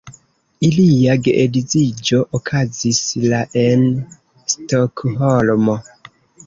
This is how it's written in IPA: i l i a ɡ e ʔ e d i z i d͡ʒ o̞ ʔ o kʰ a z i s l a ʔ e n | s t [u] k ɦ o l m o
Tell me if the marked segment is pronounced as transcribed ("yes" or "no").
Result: no